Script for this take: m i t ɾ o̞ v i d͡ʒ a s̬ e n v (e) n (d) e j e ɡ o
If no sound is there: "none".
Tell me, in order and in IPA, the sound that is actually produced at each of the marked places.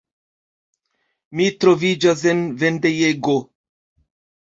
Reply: e, d

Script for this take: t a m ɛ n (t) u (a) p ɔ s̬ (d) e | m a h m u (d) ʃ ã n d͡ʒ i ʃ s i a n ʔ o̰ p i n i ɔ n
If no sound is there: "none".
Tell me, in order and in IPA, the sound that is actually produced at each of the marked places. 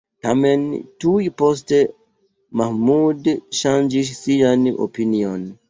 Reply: t, i, t, d

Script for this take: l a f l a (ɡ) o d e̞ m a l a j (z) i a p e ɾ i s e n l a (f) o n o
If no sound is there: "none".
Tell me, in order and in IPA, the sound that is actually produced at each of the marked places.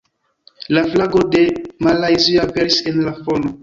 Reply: ɡ, z, f

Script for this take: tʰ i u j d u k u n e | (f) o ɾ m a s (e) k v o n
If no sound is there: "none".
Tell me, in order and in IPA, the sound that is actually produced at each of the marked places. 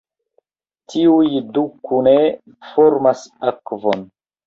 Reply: f, a

